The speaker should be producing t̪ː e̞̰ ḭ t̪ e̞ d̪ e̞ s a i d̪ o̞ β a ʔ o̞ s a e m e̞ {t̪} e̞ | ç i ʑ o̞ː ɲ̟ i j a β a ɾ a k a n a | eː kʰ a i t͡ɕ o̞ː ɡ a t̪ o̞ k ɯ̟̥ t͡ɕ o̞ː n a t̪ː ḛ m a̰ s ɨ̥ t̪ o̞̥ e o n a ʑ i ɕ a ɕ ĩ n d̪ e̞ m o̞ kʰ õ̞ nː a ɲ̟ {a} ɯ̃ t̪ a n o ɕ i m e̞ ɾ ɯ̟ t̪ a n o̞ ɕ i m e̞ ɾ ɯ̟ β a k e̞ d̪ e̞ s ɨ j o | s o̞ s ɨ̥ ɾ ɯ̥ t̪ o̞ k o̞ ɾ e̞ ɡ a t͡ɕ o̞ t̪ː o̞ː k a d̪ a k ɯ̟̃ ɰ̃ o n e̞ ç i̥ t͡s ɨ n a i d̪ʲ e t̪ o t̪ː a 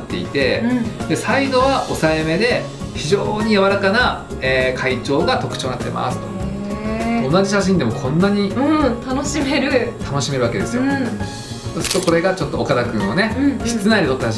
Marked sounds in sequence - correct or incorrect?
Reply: incorrect, incorrect

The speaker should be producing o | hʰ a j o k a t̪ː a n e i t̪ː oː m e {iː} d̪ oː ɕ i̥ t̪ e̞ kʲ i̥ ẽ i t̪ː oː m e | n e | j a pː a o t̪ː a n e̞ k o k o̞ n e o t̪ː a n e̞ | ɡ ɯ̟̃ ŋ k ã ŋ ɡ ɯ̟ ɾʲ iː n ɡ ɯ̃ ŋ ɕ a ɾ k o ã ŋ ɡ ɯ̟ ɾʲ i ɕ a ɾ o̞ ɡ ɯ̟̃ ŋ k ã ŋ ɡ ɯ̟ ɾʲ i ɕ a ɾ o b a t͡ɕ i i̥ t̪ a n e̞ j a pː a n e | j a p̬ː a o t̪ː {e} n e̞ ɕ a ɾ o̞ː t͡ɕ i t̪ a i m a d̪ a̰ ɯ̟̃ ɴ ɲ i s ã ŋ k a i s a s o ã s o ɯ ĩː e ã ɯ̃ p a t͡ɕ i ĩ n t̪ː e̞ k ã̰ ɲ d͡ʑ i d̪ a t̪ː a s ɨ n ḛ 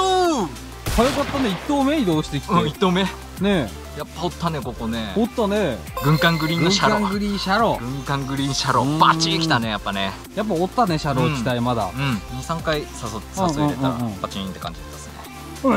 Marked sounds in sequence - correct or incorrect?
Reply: incorrect, incorrect

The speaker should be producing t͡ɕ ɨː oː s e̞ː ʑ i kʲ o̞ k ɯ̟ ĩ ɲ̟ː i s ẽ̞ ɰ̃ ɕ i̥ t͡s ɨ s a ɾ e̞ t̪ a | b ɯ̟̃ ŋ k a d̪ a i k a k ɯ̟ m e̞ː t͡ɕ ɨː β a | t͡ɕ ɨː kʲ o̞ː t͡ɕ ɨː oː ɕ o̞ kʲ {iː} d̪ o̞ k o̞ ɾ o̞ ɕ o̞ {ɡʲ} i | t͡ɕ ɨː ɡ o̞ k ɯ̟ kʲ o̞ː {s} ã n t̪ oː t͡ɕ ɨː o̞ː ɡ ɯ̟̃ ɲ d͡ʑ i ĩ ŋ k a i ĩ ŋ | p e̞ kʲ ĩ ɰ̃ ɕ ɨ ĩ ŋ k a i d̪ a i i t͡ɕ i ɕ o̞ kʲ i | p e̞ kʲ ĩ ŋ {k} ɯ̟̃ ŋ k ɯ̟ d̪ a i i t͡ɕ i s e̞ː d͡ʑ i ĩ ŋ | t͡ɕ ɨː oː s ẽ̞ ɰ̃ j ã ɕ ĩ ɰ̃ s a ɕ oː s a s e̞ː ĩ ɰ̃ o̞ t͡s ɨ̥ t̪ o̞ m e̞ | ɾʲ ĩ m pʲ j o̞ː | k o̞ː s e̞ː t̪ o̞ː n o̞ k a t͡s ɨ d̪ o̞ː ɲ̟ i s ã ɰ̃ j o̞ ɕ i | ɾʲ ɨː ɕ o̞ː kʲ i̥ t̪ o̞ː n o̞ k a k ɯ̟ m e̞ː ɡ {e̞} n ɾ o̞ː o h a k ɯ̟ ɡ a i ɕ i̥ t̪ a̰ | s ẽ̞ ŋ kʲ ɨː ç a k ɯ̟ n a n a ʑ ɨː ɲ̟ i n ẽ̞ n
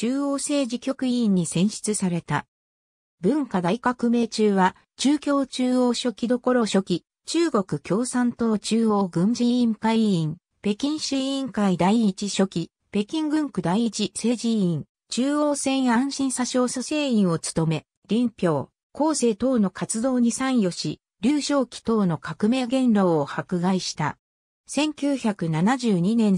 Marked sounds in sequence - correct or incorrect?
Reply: incorrect, incorrect, correct, incorrect, incorrect

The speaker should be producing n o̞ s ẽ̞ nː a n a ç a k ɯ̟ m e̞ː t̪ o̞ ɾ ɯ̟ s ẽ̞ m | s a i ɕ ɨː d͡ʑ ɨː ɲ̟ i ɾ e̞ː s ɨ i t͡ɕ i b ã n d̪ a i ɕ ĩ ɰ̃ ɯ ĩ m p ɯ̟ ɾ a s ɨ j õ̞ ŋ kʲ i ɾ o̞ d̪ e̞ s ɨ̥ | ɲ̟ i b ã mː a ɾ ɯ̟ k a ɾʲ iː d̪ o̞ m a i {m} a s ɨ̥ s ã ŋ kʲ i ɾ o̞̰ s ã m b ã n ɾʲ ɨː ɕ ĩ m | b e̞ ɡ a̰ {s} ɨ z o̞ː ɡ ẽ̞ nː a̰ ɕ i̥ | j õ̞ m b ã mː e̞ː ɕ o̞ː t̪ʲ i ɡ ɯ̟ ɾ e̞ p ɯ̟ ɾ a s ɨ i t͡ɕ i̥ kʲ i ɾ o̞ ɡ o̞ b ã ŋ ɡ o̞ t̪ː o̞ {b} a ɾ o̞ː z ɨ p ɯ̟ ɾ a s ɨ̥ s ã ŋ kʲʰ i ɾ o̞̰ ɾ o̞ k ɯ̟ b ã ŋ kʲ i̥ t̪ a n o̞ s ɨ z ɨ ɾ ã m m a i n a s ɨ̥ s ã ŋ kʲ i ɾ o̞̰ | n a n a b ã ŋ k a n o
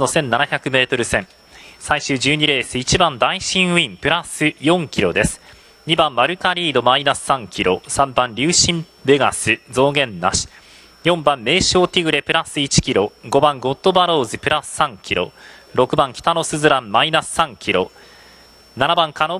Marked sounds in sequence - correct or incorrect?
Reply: incorrect, correct, correct

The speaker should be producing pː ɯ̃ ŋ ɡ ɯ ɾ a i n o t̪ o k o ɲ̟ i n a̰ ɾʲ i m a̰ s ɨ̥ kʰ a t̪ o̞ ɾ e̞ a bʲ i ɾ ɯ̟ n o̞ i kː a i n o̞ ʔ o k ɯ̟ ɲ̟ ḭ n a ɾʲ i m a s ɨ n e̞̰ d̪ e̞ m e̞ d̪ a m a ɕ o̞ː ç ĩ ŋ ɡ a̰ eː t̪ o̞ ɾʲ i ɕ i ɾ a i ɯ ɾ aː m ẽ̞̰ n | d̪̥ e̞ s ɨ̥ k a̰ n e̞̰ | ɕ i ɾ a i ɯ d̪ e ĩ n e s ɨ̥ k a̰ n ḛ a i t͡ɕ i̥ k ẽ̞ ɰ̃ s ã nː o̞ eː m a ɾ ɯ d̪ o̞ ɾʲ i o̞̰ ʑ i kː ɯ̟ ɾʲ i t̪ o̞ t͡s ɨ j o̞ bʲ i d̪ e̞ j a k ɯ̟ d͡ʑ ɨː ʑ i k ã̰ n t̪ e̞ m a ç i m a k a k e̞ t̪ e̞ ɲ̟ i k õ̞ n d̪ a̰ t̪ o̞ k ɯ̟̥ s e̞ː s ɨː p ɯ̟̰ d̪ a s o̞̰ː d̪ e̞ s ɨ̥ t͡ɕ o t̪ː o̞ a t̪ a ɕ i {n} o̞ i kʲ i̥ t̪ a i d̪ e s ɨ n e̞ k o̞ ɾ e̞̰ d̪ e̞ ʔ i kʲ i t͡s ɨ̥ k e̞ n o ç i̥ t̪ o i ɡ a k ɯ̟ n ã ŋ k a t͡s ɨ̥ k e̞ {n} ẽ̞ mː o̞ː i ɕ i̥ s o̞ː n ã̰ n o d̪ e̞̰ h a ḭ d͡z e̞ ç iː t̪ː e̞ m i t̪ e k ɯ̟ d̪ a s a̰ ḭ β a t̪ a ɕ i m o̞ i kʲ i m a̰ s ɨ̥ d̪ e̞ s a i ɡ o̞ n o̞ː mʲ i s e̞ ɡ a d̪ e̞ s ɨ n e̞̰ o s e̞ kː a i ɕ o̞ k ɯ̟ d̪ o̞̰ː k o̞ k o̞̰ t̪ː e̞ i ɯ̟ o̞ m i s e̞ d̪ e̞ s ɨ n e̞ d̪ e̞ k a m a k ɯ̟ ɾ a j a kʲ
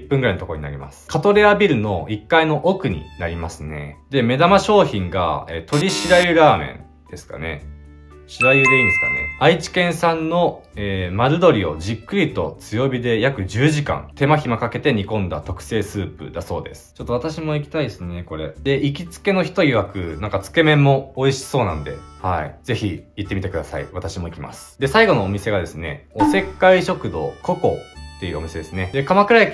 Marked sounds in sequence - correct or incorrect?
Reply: incorrect, incorrect

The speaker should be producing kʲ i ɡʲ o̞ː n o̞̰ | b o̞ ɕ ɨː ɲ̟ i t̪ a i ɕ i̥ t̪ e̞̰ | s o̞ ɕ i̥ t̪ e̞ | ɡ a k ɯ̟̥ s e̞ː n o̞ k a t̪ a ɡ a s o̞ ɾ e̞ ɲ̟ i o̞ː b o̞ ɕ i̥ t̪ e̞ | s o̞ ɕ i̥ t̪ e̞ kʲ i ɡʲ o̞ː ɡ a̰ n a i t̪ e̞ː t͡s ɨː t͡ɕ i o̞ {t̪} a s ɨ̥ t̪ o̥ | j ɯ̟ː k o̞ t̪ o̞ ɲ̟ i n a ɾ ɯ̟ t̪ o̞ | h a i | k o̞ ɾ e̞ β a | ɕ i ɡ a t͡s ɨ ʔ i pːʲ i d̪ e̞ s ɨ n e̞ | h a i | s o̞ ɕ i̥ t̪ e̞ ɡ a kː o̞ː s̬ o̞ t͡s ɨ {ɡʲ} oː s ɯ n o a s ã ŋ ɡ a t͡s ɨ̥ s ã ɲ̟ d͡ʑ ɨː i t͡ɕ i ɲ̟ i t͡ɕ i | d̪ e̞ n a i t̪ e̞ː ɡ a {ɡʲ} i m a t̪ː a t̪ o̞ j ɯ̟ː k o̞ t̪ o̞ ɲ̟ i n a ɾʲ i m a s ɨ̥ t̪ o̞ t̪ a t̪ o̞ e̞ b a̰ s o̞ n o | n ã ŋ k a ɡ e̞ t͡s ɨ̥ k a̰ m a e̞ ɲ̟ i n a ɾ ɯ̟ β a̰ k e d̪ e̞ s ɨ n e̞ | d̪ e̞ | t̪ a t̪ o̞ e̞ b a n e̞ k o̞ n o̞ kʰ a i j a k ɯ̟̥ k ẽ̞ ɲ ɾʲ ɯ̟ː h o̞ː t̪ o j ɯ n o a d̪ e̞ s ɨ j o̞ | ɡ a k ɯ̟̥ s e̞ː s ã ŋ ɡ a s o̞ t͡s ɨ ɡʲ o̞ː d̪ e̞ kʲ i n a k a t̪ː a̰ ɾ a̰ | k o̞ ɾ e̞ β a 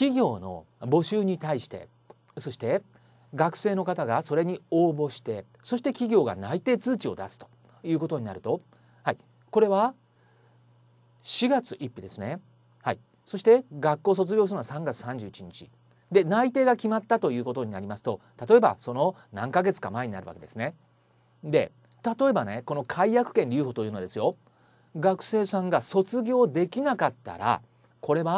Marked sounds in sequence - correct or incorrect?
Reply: incorrect, correct, incorrect

